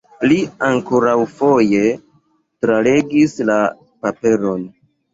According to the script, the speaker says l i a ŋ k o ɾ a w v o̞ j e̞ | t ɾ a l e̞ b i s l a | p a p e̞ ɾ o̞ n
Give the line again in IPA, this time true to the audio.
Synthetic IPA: l i a ŋ k o ɾ a w f o̞ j e̞ | t ɾ a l e̞ ɡ i s l a | p a p e̞ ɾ o̞ n